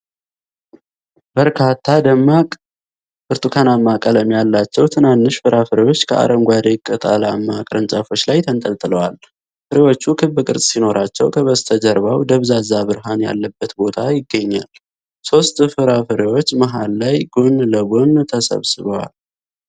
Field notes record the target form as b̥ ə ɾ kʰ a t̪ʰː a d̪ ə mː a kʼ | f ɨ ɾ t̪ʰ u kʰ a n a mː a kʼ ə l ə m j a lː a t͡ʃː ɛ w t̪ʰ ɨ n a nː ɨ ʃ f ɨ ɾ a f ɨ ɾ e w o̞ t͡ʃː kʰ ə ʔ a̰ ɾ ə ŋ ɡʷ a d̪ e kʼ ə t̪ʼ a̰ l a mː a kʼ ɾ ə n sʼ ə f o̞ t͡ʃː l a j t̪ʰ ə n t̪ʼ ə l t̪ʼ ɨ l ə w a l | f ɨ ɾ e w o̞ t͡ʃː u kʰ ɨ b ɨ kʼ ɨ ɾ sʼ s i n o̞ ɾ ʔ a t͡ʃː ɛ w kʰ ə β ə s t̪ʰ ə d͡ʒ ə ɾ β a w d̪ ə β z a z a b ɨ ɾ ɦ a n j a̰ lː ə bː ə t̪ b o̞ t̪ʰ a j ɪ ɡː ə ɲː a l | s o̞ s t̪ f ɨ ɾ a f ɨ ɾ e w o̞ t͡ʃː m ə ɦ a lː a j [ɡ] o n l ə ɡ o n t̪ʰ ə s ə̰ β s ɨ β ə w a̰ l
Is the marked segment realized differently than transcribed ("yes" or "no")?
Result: no